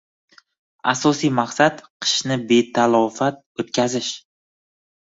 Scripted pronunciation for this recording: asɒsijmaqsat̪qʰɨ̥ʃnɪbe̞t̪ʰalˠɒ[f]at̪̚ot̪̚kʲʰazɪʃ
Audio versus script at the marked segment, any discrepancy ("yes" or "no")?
no